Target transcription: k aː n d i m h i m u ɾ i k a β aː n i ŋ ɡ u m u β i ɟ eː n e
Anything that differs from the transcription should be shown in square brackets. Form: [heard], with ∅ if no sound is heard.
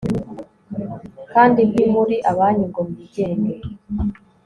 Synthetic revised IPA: k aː n d i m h i m u ɾ i [ʔ] a β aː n i ŋ ɡ [o] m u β i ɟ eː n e